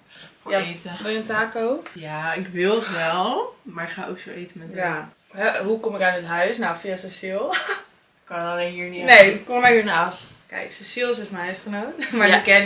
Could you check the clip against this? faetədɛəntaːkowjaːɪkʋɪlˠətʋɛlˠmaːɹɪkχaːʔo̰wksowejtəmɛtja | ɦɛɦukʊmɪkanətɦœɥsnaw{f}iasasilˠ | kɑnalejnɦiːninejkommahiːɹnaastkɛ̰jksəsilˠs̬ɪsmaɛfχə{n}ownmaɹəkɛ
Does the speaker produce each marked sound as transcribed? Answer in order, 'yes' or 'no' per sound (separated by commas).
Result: yes, yes